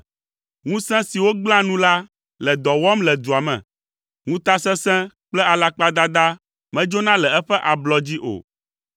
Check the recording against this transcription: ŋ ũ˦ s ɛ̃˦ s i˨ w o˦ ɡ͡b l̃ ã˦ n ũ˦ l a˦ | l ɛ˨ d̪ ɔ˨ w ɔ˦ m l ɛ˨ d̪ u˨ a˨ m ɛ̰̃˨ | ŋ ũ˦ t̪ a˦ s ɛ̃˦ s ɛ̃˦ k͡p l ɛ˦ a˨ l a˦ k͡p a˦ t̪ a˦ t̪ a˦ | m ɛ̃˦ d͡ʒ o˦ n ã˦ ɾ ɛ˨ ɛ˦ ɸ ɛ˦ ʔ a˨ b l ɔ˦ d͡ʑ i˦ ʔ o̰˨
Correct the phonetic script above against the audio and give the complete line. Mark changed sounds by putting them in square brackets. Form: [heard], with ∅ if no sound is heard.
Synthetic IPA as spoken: ŋ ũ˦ s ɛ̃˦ s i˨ w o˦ ɡ͡b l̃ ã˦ n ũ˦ l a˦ | l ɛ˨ d̪ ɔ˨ w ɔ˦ m l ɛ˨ d̪ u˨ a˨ m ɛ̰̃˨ | ŋ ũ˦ t̪ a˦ s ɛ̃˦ s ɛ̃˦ k͡p l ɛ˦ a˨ l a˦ k͡p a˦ [d̪] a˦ [d̪] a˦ | m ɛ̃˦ d͡ʒ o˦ n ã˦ [l] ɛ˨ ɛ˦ ɸ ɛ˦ ʔ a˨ b l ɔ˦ d͡ʑ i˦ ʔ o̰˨